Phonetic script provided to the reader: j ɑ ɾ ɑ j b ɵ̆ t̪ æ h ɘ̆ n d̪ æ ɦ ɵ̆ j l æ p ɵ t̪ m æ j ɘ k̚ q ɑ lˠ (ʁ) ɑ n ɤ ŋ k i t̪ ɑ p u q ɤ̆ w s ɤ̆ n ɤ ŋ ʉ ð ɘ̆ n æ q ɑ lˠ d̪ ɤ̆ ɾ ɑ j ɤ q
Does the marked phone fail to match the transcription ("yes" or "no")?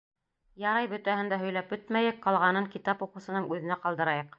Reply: no